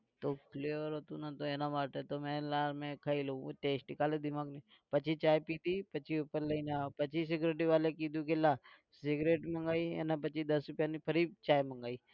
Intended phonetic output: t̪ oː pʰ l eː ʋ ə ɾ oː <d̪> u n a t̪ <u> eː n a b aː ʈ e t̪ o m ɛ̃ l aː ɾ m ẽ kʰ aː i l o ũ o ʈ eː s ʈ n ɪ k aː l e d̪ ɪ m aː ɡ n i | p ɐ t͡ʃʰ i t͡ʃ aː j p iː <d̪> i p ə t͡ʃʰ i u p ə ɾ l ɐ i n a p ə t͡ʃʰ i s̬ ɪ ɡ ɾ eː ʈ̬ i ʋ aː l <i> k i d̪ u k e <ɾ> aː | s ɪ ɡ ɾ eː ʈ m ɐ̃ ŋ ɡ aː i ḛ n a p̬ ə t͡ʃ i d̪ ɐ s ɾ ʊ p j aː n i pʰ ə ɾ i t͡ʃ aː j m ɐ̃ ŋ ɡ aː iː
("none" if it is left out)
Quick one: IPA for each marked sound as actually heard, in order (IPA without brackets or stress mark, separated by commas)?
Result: t̪, o, t̪, e, l